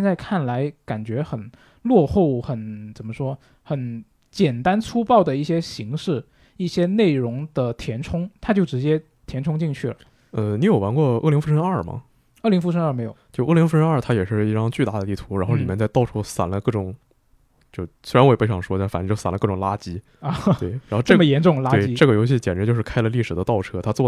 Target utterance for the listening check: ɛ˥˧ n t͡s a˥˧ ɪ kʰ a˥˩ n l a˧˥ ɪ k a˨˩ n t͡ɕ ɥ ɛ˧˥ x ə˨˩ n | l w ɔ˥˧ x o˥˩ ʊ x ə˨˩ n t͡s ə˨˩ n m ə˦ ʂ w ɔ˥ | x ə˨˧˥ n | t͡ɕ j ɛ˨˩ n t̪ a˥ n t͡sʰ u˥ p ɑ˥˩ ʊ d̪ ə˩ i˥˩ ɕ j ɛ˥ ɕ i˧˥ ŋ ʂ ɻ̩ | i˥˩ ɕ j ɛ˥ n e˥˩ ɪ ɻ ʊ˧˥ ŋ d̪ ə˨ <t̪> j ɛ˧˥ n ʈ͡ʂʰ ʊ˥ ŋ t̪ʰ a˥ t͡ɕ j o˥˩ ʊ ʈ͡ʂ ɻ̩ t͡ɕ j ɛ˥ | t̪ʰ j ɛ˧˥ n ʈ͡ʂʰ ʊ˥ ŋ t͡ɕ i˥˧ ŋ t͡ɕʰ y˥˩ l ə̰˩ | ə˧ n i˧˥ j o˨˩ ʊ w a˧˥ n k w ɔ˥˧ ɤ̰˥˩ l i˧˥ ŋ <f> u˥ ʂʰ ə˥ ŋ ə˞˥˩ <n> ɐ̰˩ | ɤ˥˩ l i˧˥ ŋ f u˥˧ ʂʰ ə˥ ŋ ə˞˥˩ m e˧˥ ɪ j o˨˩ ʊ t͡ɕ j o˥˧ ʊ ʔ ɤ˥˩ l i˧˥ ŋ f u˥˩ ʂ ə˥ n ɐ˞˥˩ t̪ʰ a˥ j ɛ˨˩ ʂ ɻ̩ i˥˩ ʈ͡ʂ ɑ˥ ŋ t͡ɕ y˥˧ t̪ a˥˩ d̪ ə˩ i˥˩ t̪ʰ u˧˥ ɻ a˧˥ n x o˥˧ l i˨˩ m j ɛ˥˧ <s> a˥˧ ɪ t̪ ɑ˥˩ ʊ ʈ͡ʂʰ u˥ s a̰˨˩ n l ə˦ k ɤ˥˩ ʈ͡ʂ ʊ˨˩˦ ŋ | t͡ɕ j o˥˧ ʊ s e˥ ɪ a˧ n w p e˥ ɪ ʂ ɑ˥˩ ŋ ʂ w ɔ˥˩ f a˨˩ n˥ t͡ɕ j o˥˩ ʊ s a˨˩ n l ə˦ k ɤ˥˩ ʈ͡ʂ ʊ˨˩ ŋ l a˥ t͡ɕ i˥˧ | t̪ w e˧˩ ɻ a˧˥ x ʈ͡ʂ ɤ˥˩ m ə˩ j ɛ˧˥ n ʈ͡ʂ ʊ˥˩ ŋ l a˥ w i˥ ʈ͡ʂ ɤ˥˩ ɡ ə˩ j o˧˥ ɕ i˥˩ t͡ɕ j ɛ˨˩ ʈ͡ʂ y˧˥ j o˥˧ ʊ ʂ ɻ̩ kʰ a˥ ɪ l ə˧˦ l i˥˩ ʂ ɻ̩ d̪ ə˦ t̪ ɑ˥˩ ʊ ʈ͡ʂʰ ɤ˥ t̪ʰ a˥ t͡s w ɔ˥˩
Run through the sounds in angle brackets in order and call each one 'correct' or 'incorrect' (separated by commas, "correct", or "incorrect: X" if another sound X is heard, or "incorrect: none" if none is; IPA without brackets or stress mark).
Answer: incorrect: t̪ʰ, correct, incorrect: m, incorrect: t͡s